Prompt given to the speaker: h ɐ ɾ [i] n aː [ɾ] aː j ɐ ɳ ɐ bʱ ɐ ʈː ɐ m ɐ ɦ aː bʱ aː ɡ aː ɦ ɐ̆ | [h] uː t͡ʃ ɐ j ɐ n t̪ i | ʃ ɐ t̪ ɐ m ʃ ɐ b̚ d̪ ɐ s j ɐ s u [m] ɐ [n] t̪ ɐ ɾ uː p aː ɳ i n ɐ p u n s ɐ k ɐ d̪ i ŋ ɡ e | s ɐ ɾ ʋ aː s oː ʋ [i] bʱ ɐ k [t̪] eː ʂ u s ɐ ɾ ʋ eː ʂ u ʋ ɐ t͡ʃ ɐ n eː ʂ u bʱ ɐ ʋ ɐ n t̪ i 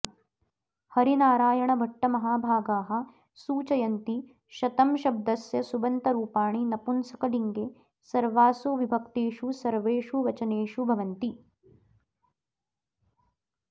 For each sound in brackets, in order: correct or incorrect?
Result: correct, correct, incorrect: s, incorrect: b, correct, correct, correct

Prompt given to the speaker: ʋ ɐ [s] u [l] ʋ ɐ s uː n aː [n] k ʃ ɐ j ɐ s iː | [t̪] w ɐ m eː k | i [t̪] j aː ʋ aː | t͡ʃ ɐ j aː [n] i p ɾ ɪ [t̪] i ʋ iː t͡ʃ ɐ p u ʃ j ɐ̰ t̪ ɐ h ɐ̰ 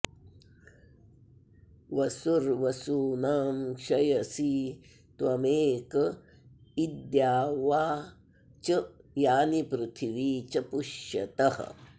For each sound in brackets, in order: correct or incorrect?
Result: correct, incorrect: ɾ, incorrect: m, correct, incorrect: d̪, correct, incorrect: t̪ʰ

